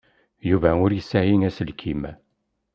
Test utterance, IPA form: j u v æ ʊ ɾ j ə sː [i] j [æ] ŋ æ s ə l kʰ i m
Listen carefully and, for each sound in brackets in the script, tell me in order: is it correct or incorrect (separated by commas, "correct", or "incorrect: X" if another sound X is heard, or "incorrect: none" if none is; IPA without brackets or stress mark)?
incorrect: æ, incorrect: i